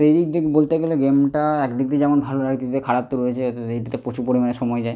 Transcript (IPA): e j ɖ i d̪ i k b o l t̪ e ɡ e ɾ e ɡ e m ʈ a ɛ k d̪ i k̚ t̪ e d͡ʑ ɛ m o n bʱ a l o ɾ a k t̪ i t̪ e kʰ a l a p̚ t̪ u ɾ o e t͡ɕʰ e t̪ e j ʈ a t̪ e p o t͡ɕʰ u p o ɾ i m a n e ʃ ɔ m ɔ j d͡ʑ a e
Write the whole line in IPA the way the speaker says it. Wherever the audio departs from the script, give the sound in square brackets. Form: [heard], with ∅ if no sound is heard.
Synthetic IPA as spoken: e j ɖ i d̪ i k b o l t̪ e ɡ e [l] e ɡ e m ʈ a ɛ k d̪ i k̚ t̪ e d͡ʑ ɛ m o n bʱ a l o ɾ a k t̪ i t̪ e kʰ a [ɽ] a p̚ t̪ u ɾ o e t͡ɕʰ e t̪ e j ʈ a t̪ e p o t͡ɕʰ u p o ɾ i m a n e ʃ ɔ m ɔ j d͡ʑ a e